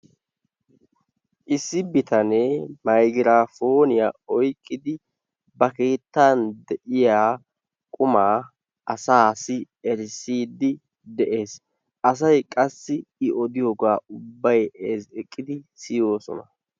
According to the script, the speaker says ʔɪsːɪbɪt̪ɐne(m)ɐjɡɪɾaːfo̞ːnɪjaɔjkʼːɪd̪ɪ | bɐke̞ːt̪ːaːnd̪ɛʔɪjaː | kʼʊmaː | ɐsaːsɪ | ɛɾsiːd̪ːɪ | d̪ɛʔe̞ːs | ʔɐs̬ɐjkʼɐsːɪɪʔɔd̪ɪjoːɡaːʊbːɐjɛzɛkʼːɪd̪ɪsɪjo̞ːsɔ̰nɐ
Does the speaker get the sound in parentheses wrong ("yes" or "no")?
no